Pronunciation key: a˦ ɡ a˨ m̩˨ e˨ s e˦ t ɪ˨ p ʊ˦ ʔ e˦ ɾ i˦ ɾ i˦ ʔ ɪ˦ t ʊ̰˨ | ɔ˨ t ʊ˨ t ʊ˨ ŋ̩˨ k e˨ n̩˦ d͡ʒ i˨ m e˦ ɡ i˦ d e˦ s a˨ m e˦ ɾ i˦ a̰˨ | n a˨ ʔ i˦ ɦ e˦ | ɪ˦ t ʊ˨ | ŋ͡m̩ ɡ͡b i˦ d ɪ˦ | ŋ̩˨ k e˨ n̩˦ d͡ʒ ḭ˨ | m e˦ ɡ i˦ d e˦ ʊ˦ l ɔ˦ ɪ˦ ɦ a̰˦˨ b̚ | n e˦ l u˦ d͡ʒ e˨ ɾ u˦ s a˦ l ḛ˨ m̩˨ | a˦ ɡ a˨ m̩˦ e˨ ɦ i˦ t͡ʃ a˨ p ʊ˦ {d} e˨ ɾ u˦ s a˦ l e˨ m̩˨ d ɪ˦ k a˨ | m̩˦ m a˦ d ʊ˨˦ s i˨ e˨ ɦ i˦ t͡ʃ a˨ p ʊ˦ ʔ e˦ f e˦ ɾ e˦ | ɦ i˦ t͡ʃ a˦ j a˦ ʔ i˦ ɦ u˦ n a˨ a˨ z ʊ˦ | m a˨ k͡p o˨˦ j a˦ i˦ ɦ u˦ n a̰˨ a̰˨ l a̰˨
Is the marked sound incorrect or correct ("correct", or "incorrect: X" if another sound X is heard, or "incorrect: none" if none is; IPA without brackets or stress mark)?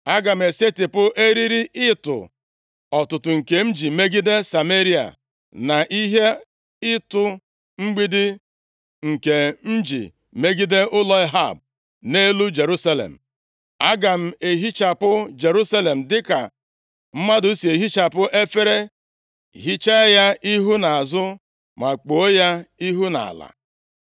incorrect: d͡ʒ